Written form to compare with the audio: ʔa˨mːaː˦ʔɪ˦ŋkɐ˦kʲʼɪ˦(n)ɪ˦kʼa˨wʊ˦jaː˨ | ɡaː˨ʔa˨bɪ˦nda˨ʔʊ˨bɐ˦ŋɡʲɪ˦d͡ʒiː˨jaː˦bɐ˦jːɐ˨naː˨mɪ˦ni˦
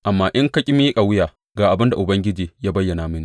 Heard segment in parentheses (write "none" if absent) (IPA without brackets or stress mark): m